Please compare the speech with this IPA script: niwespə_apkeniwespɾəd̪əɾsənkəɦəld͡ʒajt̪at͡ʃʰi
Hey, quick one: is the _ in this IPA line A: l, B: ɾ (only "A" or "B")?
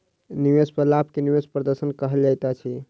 A